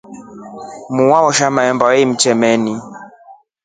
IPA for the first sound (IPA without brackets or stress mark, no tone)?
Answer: m